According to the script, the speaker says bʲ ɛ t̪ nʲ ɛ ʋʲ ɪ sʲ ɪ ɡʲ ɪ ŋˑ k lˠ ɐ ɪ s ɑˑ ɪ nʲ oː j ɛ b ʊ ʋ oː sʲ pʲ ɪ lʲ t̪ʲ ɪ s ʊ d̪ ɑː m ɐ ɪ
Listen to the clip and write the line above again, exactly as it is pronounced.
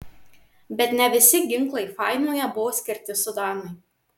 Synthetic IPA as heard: bʲ ɛ t̪ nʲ ɛ ʋʲ ɪ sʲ ɪ ɡʲ ɪ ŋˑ k lˠ ɐ ɪ f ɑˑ ɪ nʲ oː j ɛ b ʊ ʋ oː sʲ kʲ ɪ ɾʲ t̪ʲ ɪ s ʊ d̪ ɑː n ɐ ɪ

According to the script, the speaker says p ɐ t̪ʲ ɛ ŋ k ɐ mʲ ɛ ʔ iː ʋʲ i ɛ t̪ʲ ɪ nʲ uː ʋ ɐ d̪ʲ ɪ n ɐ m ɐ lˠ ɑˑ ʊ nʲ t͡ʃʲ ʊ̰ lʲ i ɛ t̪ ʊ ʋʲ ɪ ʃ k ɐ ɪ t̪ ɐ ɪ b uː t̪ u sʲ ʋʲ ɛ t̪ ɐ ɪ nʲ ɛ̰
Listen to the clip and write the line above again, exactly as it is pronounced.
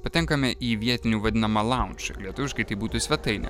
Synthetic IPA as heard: p ɐ t̪ʲ ɛ ŋ k ɐ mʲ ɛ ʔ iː ʋʲ i ɛ t̪ʲ ɪ nʲ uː ʋ ɐ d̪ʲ ɪ n ɐ m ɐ lˠ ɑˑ ʊ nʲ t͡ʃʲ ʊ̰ lʲ i ɛ t̪ ʊ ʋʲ ɪ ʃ k ɐ ɪ t̪ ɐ ɪ b uː t̪ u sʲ ʋʲ ɛ t̪ ɐ ɪ nʲ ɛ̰

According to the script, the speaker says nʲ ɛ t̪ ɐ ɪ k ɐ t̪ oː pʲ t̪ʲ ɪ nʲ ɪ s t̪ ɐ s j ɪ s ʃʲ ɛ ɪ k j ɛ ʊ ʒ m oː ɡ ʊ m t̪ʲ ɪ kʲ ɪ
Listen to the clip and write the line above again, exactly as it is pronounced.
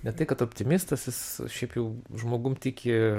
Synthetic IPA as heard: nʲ ɛ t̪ ɐ ɪ k ɐ t̪ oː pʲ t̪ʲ ɪ mʲ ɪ s t̪ ɐ s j ɪ s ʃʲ ɛ ɪ p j ɛ ʊ ʒ m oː ɡ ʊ m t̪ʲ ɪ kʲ ɪ

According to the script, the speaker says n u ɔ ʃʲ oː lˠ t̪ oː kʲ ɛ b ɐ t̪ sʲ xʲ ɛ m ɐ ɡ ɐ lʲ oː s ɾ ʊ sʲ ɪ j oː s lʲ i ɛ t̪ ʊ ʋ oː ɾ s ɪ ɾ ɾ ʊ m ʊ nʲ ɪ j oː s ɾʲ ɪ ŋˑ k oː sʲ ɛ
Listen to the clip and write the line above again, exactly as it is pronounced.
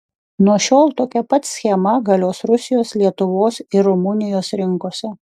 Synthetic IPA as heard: n u ɔ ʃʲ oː lˠ t̪ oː kʲ ɛ p ɐ t̪ sʲ xʲ ɛ m ɐ ɡ ɐ lʲ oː s ɾ ʊ sʲ ɪ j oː s lʲ i ɛ t̪ ʊ ʋ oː s ɪ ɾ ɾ ʊ m ʊ nʲ ɪ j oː s ɾʲ ɪ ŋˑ k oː sʲ ɛ

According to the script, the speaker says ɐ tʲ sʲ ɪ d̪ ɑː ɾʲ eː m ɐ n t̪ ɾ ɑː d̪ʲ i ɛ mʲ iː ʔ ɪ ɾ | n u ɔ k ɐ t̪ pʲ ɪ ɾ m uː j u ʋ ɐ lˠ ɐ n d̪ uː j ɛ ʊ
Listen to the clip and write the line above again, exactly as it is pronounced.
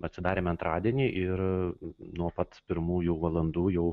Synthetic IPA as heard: ɐ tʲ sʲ ɪ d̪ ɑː ɾʲ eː m ɐ n t̪ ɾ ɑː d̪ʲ i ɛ nʲ iː ʔ ɪ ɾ | n u ɔ p ɐ t̪ pʲ ɪ ɾ m uː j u ʋ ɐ lˠ ɐ n d̪ uː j ɛ ʊ

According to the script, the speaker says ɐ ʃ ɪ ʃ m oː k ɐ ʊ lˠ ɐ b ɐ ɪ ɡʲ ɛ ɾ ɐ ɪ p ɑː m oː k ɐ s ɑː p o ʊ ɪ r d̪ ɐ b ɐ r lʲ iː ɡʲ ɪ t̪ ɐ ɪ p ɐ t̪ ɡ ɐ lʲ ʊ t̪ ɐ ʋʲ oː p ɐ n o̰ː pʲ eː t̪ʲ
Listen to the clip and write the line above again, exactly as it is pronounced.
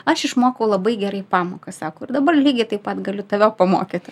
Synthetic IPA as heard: ɐ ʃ ɪ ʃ m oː k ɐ ʊ lˠ ɐ b ɐ ɪ ɡʲ ɛ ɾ ɐ ɪ p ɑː m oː k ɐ s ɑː k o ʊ ɪ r d̪ ɐ b ɐ r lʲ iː ɡʲ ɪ t̪ ɐ ɪ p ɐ t̪ ɡ ɐ lʲ ʊ t̪ ɐ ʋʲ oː p ɐ m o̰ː kʲ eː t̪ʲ

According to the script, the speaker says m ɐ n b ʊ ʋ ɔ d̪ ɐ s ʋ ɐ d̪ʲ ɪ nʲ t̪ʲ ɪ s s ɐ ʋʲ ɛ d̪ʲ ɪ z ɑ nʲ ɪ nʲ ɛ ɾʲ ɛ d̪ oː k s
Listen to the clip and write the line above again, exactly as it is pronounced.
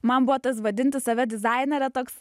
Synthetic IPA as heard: m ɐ n b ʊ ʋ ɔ t̪ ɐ s ʋ ɐ d̪ʲ ɪ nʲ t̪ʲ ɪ s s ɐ ʋʲ ɛ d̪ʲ ɪ z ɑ ɪ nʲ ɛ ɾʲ ɛ t̪ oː k s

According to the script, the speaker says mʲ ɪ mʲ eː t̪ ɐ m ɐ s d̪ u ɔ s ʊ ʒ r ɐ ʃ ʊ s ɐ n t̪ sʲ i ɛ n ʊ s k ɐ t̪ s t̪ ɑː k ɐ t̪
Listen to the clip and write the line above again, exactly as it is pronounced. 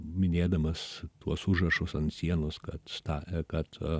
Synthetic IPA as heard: mʲ ɪ nʲ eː d̪ ɐ m ɐ s t̪ u ɔ s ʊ ʒ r ɐ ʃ ʊ s ɐ n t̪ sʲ i ɛ n ʊ s k ɐ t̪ s t̪ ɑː k ɐ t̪

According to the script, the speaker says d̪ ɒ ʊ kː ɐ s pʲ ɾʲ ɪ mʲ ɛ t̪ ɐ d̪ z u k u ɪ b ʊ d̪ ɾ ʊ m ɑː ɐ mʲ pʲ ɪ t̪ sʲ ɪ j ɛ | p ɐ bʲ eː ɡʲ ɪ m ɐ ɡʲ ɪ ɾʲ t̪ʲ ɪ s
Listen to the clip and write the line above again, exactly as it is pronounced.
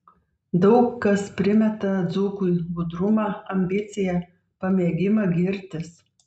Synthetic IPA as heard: d̪ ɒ ʊ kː ɐ s pʲ ɾʲ ɪ mʲ ɛ t̪ ɐ d̪ z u k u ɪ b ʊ d̪ ɾ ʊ m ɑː ɐ mʲ bʲ ɪ t̪ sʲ ɪ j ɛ | p ɐ mʲ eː ɡʲ ɪ m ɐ ɡʲ ɪ ɾʲ t̪ʲ ɪ s

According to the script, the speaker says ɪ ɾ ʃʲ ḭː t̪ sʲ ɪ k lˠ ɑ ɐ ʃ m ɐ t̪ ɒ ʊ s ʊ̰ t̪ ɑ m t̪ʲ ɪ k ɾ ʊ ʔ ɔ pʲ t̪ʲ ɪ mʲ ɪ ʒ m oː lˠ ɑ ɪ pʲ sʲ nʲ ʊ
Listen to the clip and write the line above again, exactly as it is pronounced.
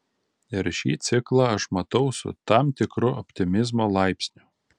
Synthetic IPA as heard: ɪ ɾ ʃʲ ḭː t̪ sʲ ɪ k lˠ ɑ ɐ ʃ m ɐ t̪ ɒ ʊ s ʊ̰ t̪ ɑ m t̪ʲ ɪ k ɾ ʊ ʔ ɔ pʲ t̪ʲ ɪ mʲ ɪ z m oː lˠ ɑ ɪ pʲ sʲ nʲ ʊ

